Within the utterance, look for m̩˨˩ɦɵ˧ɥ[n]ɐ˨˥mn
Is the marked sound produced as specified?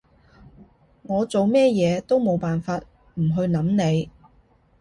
yes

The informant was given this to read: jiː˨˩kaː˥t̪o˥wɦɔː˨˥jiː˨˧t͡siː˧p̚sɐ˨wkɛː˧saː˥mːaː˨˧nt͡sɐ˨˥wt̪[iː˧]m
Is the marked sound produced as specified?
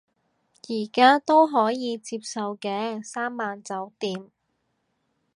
no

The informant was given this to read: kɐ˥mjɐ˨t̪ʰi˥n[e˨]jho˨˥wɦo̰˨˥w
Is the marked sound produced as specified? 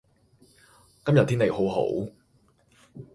yes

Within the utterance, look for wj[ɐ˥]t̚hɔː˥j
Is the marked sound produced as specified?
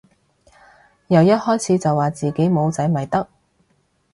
yes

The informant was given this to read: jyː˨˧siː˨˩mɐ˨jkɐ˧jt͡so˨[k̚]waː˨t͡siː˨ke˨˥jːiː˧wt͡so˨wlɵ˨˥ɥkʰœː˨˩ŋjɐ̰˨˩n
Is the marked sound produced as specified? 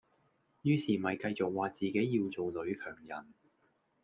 yes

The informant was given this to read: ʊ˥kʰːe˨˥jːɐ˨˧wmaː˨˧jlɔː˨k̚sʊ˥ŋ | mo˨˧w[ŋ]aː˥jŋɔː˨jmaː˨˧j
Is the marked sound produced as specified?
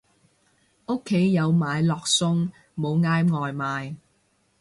yes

